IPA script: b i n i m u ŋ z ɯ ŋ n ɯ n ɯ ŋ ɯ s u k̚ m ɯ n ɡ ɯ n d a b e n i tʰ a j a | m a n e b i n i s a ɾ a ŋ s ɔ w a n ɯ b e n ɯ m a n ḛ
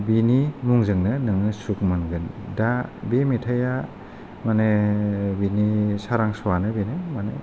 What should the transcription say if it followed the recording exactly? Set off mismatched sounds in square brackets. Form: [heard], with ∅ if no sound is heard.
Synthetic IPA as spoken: b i n i m u ŋ z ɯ ŋ n ɯ n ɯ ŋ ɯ s u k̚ m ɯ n ɡ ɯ n d a b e [m] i tʰ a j a | m a n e b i n i s a ɾ a ŋ s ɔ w a n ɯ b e n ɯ m a n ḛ

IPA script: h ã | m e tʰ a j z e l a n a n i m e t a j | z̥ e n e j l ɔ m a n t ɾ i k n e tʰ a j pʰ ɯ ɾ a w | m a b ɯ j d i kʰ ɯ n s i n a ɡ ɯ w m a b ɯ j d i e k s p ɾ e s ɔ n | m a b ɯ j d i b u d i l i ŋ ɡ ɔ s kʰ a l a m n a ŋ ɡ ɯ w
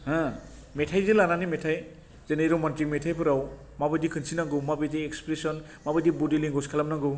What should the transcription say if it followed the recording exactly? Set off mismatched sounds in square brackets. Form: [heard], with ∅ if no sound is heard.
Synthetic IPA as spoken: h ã | m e tʰ a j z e l a n a n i m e [tʰ] a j | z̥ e n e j [ɾ] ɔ m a n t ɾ i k [m] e tʰ a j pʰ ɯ ɾ a w | m a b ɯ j d i kʰ ɯ n s i n a ɡ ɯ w m a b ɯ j d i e k s p ɾ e s ɔ n | m a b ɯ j d i b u d i l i ŋ ɡ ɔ s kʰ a l a m n a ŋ ɡ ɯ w

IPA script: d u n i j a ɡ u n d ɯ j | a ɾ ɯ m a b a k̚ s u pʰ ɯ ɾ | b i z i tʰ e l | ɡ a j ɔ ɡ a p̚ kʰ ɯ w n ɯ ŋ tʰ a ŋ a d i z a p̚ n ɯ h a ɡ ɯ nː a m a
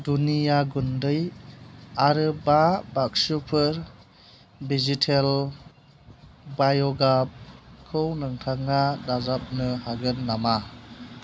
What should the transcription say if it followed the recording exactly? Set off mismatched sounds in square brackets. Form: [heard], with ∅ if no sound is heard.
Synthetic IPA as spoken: d u n i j a ɡ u n d ɯ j | a ɾ ɯ [b] a b a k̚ s u pʰ ɯ ɾ | b i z i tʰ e l | [b] a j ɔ ɡ a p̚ kʰ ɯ w n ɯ ŋ tʰ a ŋ a d [a] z a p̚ n ɯ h a ɡ ɯ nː a m a

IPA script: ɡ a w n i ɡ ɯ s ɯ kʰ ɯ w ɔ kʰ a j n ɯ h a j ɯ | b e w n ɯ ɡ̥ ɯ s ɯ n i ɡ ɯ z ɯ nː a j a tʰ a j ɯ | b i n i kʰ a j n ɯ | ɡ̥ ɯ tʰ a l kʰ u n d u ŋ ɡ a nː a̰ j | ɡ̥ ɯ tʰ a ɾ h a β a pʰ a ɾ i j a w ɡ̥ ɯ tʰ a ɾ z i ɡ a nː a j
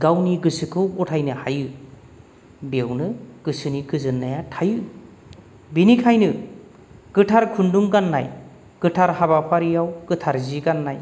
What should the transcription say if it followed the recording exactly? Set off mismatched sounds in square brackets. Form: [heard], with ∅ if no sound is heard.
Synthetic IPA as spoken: ɡ a w n i ɡ ɯ s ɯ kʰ ɯ w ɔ [tʰ] a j n ɯ h a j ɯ | b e w n ɯ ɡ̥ ɯ s ɯ n i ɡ ɯ z ɯ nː a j a tʰ a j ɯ | b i n i kʰ a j n ɯ | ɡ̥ ɯ tʰ a [ɾ] kʰ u n d u ŋ ɡ a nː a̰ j | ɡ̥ ɯ tʰ a ɾ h a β a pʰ a ɾ i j a w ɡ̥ ɯ tʰ a ɾ z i ɡ a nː a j

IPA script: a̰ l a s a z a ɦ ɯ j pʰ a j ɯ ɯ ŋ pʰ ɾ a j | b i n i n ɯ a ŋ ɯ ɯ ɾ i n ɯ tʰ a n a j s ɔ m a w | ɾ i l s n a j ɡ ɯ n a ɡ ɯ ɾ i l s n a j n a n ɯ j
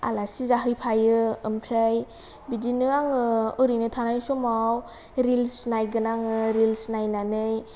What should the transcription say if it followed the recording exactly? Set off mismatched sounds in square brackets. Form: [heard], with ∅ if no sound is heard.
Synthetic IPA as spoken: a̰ l a s [i] z a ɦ ɯ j pʰ a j ɯ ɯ [m] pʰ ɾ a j | b i [d] i n ɯ a ŋ ɯ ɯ ɾ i n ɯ tʰ a n a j s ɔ m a w | ɾ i l s n a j ɡ ɯ n a [ŋ] ɯ ɾ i l s n a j n a n ɯ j

